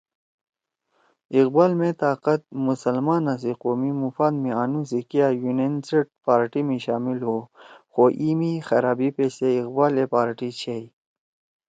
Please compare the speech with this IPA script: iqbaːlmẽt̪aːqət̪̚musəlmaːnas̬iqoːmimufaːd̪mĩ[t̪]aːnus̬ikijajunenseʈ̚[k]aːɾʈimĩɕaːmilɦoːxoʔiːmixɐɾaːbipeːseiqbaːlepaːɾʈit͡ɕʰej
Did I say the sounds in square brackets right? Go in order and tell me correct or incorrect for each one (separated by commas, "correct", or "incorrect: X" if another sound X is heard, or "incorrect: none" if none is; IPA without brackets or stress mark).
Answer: incorrect: none, incorrect: p